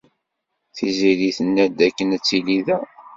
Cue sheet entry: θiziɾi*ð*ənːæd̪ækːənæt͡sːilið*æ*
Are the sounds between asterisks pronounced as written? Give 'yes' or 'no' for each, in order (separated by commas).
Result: no, yes